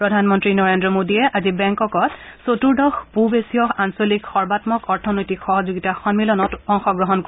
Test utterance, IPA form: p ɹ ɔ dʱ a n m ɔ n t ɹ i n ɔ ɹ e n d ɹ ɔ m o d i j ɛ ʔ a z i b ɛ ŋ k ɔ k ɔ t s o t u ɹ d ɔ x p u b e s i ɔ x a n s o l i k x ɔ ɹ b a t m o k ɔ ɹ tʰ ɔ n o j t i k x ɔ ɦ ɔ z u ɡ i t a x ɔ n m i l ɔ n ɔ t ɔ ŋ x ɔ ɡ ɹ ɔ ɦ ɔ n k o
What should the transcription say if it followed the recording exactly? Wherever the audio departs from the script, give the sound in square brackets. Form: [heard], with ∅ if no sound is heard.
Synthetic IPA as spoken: p ɹ ɔ dʱ a n m ɔ n t ɹ i n ɔ ɹ e n d ɹ ɔ m o d i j ɛ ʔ a z i b ɛ ŋ k ɔ k ɔ t s o t u ɹ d ɔ x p u b e s i ɔ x a n s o l i k x ɔ ɹ b a t m [ɔ] k ɔ ɹ tʰ ɔ n o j t i k x ɔ ɦ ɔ z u ɡ i t a x ɔ n m i l ɔ n ɔ t ɔ ŋ x ɔ ɡ ɹ ɔ ɦ ɔ n k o

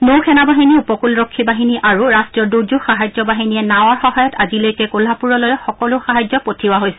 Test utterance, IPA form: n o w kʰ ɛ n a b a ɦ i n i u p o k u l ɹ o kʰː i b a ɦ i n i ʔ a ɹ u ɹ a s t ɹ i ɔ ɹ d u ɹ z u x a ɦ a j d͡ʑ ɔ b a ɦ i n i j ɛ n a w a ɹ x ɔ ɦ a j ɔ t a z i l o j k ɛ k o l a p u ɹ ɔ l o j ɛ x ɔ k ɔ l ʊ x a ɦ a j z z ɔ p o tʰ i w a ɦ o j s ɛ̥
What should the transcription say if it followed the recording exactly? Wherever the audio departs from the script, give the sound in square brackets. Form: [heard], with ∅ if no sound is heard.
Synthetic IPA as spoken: n o w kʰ ɛ n a b a ɦ i n i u p [ɔ] k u l ɹ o kʰː i b a ɦ i n i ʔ a ɹ u ɹ a s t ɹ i ɔ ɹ d u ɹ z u x a ɦ a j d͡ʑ ɔ b a ɦ i n i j ɛ n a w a ɹ x ɔ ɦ a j ɔ t a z i l o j k ɛ k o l a p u ɹ ɔ l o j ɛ x ɔ k ɔ l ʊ x a ɦ a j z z ɔ p o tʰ i w a ɦ o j s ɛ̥

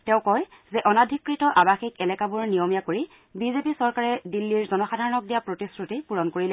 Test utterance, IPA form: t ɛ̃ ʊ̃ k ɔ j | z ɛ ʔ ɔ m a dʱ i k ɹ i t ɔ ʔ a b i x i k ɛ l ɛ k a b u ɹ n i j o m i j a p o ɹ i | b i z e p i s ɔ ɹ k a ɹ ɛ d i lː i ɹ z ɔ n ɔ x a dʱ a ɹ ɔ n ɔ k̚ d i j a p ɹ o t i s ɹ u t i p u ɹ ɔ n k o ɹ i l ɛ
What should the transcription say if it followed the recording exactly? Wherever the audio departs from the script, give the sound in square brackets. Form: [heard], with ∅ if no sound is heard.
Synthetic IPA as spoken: t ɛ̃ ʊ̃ k ɔ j | z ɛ ʔ ɔ [n] a dʱ i k ɹ i t ɔ ʔ a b [a] x i k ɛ l ɛ k a b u ɹ n i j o m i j a [k] o ɹ i | b i z e p i s ɔ ɹ k a ɹ ɛ d i lː i ɹ z ɔ n ɔ x a dʱ a ɹ ɔ n ɔ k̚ d i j a p ɹ o t i s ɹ u t i p u ɹ ɔ n k o ɹ i l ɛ

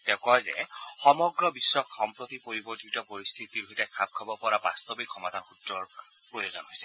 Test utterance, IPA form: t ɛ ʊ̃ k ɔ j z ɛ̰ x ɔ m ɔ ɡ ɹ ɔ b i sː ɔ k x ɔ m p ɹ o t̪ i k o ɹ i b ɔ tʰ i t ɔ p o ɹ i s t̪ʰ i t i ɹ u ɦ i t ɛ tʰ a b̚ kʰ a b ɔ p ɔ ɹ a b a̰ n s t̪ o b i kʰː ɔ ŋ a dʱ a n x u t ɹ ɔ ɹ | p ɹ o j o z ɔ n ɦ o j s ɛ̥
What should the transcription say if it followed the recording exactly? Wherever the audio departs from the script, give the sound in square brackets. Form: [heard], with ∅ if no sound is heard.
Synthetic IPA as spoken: t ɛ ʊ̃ k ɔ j z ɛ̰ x ɔ m ɔ ɡ ɹ ɔ b i sː ɔ k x ɔ m p ɹ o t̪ i [p] o ɹ i b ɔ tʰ i t ɔ p o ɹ i s t̪ʰ i t i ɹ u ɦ i t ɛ [kʰ] a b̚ kʰ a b ɔ p ɔ ɹ a b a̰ [∅] s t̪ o b i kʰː ɔ [m] a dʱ a n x u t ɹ ɔ ɹ | p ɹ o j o z ɔ n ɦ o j s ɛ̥

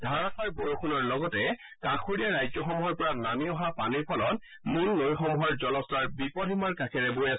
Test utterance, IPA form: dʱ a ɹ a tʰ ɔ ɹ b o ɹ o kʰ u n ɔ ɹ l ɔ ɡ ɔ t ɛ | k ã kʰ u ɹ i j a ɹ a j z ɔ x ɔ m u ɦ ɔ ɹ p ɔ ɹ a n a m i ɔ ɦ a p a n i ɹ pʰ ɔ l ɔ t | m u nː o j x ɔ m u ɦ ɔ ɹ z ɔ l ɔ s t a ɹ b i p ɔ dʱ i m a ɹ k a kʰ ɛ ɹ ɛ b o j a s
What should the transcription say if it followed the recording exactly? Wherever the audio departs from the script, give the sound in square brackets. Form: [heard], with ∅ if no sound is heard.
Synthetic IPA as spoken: dʱ a ɹ a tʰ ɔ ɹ b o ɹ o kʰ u n ɔ ɹ l ɔ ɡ ɔ t ɛ | k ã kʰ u ɹ i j a ɹ a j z ɔ x ɔ m u ɦ ɔ ɹ p ɔ ɹ a n a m i ɔ ɦ a p a n i ɹ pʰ ɔ l ɔ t | m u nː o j x ɔ m u ɦ ɔ ɹ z ɔ l ɔ s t a ɹ b i p ɔ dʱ i m a ɹ k a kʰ ɛ ɹ ɛ b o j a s

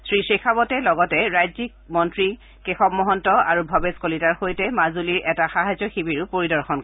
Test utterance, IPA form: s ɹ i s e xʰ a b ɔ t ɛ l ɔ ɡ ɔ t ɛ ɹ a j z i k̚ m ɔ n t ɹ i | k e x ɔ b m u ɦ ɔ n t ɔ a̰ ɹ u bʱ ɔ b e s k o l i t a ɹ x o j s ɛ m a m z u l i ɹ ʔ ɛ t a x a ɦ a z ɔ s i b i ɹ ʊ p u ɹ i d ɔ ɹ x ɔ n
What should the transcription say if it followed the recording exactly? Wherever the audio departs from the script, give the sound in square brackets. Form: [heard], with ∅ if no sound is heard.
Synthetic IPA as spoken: s ɹ i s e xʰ a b ɔ t ɛ l ɔ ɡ ɔ t ɛ ɹ a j z i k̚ m ɔ n t ɹ i | k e x ɔ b m [ɔ] ɦ ɔ n t ɔ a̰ ɹ u bʱ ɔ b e s k o l i t a ɹ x o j [t] ɛ m a [∅] z u l i ɹ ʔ ɛ t a x a ɦ a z ɔ [x] i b i ɹ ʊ p [o] ɹ i d ɔ ɹ x ɔ n

